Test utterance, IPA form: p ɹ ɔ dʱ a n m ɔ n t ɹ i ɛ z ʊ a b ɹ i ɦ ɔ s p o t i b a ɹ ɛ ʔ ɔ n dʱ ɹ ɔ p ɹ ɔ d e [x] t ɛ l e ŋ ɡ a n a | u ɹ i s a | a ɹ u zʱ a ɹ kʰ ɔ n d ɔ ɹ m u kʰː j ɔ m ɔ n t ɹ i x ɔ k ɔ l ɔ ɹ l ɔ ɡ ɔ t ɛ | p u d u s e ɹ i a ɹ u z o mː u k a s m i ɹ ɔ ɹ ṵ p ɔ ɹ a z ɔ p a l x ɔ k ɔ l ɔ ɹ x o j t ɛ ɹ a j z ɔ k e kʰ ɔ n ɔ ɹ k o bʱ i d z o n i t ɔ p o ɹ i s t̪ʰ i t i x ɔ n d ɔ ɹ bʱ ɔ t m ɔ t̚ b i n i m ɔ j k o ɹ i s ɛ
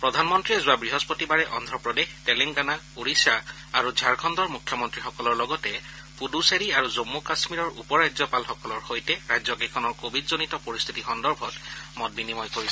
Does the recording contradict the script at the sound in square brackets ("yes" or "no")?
no